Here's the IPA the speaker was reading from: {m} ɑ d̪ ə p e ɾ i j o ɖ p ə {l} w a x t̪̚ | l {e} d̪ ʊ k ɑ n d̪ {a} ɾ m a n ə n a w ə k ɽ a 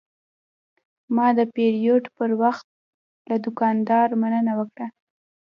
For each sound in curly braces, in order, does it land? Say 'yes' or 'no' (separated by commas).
yes, no, no, no